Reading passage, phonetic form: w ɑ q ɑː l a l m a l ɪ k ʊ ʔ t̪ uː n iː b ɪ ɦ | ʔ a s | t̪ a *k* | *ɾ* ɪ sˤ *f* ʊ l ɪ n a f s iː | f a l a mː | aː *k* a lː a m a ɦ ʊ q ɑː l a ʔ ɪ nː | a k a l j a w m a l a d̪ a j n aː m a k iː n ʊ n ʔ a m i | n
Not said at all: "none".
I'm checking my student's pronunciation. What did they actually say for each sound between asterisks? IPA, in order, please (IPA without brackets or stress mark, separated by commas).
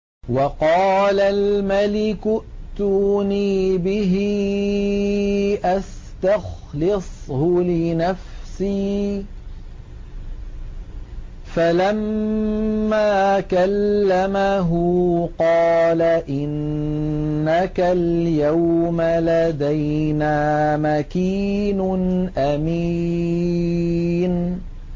x, l, h, k